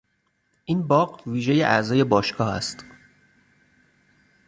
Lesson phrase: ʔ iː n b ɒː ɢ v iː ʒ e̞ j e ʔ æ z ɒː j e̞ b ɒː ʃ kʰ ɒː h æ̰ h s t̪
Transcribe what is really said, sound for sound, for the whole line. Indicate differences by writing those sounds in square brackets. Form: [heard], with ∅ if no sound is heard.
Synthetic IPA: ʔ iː n b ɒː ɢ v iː ʒ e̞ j e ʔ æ z ɒː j e̞ b ɒː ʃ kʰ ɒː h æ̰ [∅] s t̪